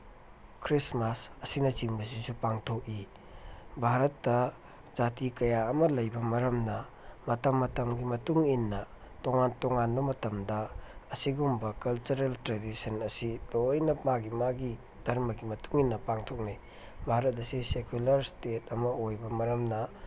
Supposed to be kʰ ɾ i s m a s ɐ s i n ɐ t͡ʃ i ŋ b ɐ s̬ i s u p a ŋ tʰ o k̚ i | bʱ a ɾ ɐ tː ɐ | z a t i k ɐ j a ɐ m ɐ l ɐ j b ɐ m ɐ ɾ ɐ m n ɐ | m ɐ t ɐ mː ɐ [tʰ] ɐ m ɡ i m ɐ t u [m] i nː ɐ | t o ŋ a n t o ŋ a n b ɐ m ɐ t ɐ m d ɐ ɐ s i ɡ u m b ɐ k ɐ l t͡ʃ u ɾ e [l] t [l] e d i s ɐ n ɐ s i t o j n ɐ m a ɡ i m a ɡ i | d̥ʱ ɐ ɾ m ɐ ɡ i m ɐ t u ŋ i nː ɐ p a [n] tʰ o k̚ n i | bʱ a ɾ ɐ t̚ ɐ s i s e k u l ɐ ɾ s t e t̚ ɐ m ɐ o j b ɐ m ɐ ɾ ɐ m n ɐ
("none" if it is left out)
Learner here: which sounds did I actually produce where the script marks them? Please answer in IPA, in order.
t, ŋ, l, ɾ, ŋ

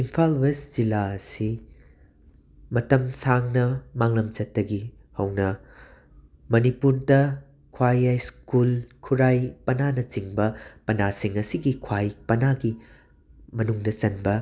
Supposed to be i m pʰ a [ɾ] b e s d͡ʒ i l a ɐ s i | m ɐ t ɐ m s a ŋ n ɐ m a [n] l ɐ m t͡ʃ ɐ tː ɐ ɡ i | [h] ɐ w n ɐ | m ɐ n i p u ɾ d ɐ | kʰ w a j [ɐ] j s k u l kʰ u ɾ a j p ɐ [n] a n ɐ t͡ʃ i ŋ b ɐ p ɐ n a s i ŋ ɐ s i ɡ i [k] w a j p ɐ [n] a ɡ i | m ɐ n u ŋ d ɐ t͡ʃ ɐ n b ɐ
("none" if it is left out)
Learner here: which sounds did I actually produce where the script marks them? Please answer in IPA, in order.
l, ŋ, h, a, n, kʰ, n

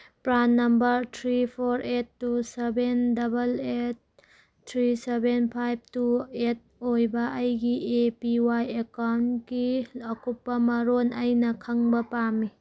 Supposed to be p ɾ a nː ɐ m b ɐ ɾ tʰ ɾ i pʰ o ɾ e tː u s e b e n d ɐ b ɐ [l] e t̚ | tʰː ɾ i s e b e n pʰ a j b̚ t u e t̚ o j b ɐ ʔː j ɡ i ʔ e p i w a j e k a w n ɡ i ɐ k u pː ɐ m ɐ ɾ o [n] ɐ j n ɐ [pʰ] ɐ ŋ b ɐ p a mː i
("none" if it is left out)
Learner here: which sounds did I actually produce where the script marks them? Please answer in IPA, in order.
l, n, kʰ

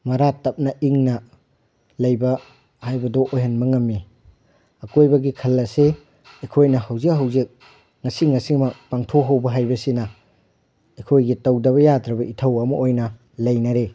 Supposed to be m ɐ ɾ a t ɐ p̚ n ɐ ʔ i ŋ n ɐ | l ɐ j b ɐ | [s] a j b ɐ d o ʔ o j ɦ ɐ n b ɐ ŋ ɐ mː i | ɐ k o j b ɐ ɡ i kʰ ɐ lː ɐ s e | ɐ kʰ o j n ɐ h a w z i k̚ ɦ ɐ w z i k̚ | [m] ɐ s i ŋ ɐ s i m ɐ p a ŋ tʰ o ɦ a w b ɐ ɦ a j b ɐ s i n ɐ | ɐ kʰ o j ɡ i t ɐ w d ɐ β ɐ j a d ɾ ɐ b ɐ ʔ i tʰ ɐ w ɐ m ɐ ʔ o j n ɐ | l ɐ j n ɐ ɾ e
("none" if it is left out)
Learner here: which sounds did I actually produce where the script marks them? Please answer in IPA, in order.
h, ŋ

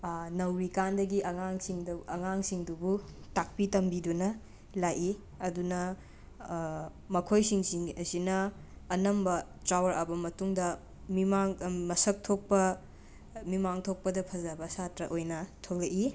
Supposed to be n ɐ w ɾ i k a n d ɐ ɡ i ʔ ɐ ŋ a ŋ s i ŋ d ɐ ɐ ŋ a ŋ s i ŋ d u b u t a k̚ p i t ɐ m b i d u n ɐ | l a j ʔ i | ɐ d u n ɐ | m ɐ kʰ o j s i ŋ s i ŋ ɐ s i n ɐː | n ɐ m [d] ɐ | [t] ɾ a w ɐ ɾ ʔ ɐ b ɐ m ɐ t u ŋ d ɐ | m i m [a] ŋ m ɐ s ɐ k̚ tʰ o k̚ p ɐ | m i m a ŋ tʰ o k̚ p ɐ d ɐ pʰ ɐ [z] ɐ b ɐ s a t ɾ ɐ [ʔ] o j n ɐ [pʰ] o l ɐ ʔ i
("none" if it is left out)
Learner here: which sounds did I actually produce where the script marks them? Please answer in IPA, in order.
b, t, a, z, ʔ, tʰ

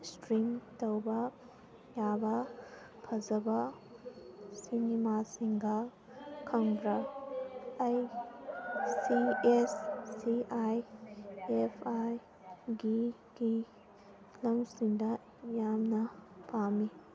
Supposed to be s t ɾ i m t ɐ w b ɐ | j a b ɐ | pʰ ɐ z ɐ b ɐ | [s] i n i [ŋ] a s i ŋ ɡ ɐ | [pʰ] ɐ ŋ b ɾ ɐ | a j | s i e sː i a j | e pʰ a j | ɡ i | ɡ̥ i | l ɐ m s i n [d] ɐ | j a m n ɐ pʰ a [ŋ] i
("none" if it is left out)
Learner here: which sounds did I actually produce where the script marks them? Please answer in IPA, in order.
s, m, kʰ, d, m

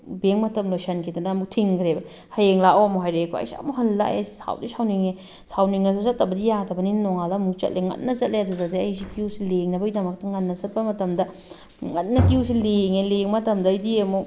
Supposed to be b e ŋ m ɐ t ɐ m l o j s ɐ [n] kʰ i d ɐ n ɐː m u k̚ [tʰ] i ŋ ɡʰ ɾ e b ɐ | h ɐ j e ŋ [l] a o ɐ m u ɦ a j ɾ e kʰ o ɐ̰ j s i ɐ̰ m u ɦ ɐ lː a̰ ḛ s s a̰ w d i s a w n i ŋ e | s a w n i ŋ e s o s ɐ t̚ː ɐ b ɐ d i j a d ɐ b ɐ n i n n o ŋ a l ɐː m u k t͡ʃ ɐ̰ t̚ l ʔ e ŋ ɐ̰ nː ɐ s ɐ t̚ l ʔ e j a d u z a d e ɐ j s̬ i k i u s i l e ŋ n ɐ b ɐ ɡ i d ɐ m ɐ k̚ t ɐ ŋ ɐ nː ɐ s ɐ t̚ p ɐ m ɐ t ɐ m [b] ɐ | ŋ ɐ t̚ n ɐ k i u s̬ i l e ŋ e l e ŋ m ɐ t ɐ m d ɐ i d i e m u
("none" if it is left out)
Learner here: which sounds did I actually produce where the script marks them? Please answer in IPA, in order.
n, tʰ, l, d

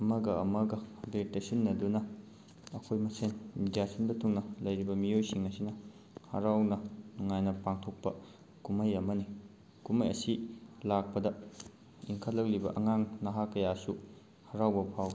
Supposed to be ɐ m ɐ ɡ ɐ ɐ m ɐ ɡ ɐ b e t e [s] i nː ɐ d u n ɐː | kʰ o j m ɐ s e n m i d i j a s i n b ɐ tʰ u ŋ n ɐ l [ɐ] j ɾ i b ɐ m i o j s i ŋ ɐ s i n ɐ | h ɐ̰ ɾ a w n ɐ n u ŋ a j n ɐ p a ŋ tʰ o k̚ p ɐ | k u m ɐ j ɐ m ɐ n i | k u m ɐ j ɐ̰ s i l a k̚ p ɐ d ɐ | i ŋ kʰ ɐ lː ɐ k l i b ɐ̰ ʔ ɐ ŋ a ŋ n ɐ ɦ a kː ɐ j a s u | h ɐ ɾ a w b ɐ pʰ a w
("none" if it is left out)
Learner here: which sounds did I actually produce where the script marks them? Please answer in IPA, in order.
s, ɐ

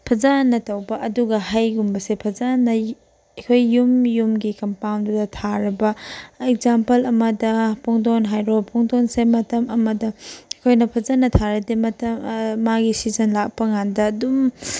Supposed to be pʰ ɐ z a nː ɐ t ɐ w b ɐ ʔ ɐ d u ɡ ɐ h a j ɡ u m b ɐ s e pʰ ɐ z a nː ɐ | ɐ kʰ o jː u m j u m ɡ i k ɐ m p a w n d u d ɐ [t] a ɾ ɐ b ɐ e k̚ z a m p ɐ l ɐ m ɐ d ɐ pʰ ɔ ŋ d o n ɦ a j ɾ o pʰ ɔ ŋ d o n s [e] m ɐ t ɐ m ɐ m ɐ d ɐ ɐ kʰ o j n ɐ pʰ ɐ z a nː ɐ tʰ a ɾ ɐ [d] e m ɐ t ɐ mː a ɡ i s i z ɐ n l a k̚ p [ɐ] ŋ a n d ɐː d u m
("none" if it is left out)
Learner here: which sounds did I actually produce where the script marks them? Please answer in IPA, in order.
tʰ, e, d, ɐ

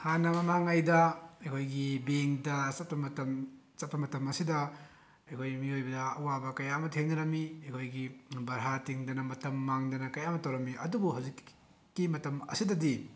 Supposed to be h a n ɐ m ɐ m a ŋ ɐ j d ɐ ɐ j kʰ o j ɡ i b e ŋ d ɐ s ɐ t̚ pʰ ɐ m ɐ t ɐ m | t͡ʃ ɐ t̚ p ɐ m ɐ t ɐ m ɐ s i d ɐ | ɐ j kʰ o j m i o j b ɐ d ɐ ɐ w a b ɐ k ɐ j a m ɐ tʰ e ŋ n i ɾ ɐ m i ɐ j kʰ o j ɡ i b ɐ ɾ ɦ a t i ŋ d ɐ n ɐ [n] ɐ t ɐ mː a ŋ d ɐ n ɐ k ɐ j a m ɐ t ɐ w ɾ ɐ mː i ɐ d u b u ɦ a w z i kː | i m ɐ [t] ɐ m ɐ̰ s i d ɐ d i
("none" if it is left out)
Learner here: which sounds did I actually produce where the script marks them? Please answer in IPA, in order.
m, t

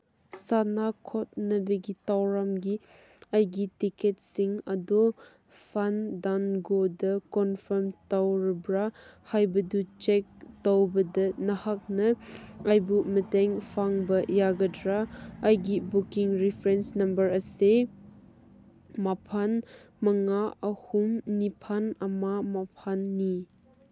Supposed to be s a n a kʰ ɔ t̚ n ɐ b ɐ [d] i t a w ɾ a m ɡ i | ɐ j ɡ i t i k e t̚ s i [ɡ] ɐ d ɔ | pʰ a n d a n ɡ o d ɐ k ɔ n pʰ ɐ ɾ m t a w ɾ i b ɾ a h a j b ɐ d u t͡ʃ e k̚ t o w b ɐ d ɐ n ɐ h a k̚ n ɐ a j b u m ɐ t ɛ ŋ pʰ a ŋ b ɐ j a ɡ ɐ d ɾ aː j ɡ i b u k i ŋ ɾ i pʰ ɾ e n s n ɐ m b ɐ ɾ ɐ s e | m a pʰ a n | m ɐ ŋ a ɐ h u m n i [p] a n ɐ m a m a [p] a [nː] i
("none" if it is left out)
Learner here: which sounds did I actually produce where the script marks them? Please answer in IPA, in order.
ɡ, ŋ, pʰ, pʰ, nː

